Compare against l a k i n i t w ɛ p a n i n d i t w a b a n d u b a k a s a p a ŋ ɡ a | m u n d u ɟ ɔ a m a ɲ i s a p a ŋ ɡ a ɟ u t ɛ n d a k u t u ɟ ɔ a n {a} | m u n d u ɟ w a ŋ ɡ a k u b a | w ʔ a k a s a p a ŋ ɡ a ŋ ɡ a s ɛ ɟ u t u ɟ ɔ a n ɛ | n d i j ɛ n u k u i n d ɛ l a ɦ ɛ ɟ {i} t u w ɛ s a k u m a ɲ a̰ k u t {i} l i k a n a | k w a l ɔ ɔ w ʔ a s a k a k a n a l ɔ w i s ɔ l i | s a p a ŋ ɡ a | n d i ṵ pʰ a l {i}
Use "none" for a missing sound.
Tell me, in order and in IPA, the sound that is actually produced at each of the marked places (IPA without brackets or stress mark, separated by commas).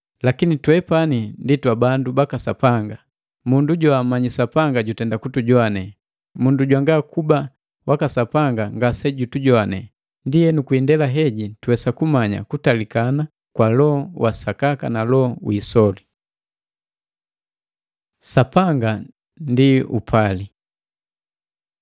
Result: ɛ, i, a, i